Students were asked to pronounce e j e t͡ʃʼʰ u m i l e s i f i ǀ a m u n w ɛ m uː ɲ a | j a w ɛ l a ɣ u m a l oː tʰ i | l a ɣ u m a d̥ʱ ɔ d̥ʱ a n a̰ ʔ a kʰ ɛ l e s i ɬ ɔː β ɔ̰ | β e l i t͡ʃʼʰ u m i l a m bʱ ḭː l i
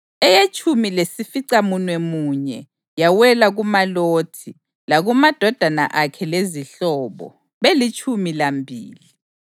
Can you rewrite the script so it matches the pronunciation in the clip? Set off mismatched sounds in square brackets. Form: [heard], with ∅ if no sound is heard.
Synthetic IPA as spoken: [ɛ] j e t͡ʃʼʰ u m i l e s i f i ǀ a m u n w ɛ m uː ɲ [ɛ] | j a w ɛ l a ɣ u m a l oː tʰ i | l a ɣ u m a d̥ʱ ɔ d̥ʱ a n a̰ ʔ a kʰ ɛ l e [z] i ɬ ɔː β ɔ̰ | β e l i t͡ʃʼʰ u m i l a m bʱ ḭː l i

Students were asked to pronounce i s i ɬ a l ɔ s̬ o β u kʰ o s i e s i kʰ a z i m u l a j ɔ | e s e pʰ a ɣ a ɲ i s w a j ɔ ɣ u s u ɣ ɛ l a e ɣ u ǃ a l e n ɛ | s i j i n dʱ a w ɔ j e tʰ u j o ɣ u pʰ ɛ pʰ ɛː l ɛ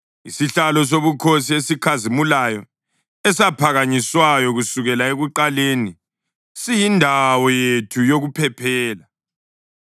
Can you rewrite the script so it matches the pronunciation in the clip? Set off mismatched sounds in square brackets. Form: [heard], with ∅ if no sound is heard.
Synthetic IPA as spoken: i s i ɬ a l ɔ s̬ o β u kʰ o s i e s i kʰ a z i m u l a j ɔ | [ɛ] s [a] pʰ a ɣ a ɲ i s w a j ɔ ɣ u s u ɣ ɛ l a e ɣ u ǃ a l e n [i] | s i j i n dʱ a w ɔ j e tʰ u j o ɣ u pʰ ɛ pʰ ɛː l [a]

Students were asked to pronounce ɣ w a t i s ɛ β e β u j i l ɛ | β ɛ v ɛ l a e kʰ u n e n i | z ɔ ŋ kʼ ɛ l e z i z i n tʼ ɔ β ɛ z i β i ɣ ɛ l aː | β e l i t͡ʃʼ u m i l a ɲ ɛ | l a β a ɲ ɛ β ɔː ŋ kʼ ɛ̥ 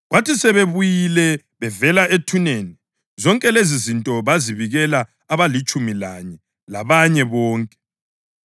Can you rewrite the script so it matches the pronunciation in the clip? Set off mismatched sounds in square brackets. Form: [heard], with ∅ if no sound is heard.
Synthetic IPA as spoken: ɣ w a t i s ɛ β e β u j i l ɛ | β ɛ v ɛ l a e [tʰ] u n e n i | z ɔ ŋ kʼ ɛ l e z i z i n tʼ ɔ β [a] z i β i ɣ ɛ l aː | β [a] l i t͡ʃʼ u m i l a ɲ ɛ | l a β a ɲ ɛ β ɔː ŋ kʼ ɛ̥

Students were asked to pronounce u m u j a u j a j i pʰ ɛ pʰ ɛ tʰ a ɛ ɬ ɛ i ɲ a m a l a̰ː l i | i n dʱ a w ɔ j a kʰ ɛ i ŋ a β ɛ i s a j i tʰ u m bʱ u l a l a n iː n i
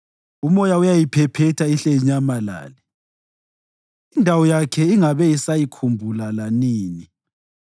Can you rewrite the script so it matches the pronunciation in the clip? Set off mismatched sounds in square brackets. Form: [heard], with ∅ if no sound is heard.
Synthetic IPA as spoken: u m [ɔ] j a u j a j i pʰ ɛ pʰ ɛ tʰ a [i] ɬ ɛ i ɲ a m a l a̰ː l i | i n dʱ a w ɔ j a kʰ ɛ i ŋ a β ɛ i s a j i [kʰ] u m bʱ u l a l a n iː n i

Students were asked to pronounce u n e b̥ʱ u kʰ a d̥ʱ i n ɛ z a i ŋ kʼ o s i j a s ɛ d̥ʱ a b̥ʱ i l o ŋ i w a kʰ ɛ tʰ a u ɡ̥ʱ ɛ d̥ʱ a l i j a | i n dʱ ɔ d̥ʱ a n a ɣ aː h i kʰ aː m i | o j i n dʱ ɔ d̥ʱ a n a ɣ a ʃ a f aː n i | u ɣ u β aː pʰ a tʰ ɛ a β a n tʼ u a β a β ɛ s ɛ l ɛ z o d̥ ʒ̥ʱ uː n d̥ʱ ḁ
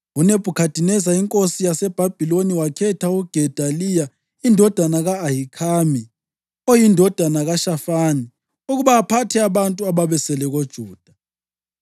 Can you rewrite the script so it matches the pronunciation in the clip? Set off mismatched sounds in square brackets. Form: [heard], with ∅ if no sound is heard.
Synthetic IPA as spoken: u n e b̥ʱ u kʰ a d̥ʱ i n ɛ z a i ŋ kʼ o s i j a s ɛ [b̥ʱ] a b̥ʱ i l o [n] i w a kʰ ɛ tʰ a u ɡ̥ʱ ɛ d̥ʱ a l i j a | i n dʱ ɔ d̥ʱ a n a ɣ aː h i kʰ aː m i | o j i n dʱ ɔ d̥ʱ a n a ɣ a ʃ a f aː n i | u ɣ u β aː pʰ a tʰ ɛ a β a n tʼ u a β a β ɛ s ɛ l ɛ [ɣ] o d̥ ʒ̥ʱ uː [∅] d̥ʱ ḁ

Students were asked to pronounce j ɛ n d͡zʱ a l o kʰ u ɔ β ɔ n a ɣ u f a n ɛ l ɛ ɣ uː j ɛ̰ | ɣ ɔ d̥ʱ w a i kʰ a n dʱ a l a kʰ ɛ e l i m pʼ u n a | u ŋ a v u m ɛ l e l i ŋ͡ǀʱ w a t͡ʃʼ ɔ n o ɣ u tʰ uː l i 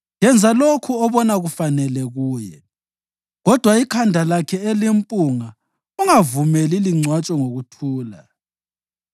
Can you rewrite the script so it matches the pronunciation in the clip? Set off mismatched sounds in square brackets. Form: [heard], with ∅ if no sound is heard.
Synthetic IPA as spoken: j ɛ n d͡zʱ a l o kʰ u ɔ β ɔ n a ɣ u f a n ɛ l ɛ ɣ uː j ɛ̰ | ɣ ɔ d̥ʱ w a i kʰ a n dʱ a l a kʰ ɛ e l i m pʼ u [ŋ] a | u ŋ a v u m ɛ l [i] l i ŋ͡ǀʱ w a t͡ʃʼ ɔ [ŋ] o ɣ u tʰ uː l [a]

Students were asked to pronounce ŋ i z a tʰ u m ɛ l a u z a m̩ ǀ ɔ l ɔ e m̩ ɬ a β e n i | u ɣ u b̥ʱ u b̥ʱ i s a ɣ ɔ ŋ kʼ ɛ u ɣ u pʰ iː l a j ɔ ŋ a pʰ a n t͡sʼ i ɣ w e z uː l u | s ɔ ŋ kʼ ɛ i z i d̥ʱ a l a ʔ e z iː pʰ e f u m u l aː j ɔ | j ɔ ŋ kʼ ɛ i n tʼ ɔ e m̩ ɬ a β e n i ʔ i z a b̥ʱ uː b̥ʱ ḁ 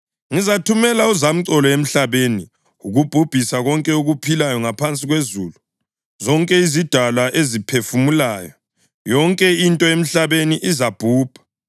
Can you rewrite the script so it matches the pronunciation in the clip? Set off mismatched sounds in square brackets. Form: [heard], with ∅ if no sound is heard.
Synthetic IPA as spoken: ŋ i z a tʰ u m ɛ l a u z a m̩ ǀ ɔ l ɔ e m̩ ɬ a β e n i | u ɣ u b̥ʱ u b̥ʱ i s a ɣ ɔ ŋ kʼ ɛ u ɣ u pʰ [i] l a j ɔ ŋ a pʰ a n t͡sʼ i ɣ w e z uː l u | [z] ɔ ŋ kʼ ɛ i z i d̥ʱ a l a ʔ e z [i] pʰ e f u m u l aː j ɔ | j ɔ ŋ kʼ ɛ i n tʼ ɔ e m̩ ɬ a β e n i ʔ i z a b̥ʱ uː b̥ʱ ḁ

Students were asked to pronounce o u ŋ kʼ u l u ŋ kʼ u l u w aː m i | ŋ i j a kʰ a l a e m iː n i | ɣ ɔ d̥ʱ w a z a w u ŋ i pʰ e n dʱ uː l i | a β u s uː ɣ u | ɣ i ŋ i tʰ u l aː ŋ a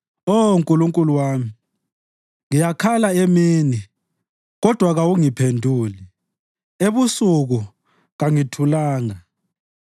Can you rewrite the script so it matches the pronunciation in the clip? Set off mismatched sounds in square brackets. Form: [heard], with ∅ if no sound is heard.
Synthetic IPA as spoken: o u ŋ kʼ u l u ŋ kʼ u l u w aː m i | ŋ i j a kʰ a l a e m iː n i | ɣ ɔ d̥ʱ w a [ɣ] a w u ŋ i pʰ e n dʱ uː l i | [e] β u s [u] ɣ u | ɣ [a] ŋ i tʰ u l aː ŋ a

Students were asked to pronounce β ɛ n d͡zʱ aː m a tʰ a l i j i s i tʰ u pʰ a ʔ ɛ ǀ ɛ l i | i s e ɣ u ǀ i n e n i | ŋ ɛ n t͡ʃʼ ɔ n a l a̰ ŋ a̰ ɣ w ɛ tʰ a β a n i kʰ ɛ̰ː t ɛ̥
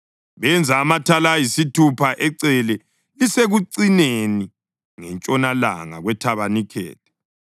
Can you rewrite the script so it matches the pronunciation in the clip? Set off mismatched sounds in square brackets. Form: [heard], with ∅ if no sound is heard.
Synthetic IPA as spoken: β ɛ n d͡zʱ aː m a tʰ a l [a] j i s i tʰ u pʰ a ʔ ɛ ǀ ɛ l [ɛ] | i s e ɣ u ǀ i n e n i | ŋ ɛ n t͡ʃʼ ɔ n a l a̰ ŋ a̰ ɣ w ɛ tʰ a β a n i kʰ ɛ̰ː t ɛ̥

